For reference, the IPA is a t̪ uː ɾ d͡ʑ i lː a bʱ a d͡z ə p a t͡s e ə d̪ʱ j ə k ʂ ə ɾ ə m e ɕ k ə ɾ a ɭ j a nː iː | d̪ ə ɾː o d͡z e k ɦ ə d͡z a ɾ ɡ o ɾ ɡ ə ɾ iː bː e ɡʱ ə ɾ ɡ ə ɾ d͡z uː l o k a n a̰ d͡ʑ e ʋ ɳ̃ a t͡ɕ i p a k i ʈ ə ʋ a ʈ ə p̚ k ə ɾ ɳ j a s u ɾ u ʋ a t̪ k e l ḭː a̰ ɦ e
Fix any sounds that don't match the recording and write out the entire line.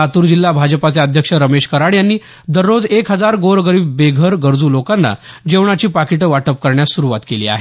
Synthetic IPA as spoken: a t̪ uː ɾ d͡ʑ i lː a bʱ a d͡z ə p a t͡s e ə d̪ʱ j ə k ʂ ə ɾ ə m e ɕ k ə ɾ a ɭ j a nː iː | d̪ ə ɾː o d͡z e k ɦ ə d͡z a ɾ ɡ o ɾ ɡ ə ɾ iː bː e ɡʱ ə ɾ ɡ ə ɾ d͡z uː l o k a nː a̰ d͡ʑ e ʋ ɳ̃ a t͡ɕ iː p a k i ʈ ə ʋ a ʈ ə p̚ k ə ɾ ɳ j a s u ɾ u ʋ a t̪ k e l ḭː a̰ ɦ e